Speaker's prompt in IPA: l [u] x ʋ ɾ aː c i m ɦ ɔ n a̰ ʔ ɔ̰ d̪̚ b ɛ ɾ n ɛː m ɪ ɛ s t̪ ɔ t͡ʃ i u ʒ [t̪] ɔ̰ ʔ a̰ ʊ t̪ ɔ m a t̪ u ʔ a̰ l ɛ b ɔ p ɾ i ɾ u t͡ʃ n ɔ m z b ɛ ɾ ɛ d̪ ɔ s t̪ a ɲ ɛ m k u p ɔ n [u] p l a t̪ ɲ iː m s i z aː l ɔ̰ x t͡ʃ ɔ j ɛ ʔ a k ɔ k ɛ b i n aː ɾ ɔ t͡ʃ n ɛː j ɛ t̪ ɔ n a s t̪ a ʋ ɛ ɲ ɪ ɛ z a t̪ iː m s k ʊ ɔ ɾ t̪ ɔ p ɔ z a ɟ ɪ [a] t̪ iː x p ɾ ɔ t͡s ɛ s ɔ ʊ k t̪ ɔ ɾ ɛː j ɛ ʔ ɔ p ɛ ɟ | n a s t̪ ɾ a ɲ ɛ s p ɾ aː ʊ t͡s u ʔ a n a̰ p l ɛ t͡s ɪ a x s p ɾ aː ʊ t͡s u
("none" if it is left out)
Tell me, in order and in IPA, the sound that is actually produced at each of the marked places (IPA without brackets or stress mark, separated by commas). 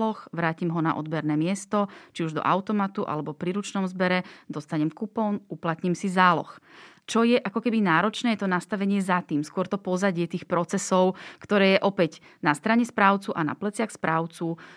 ɔ, d̪, u, ɛ